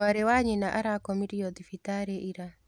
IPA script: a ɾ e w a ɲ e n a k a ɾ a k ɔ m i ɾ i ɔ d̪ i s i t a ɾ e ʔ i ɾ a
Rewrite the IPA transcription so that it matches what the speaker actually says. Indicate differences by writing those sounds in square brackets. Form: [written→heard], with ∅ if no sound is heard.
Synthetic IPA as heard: a ɾ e w a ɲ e n a [k→ʔ] a ɾ a k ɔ m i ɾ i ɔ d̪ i [s→f] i t a ɾ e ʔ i ɾ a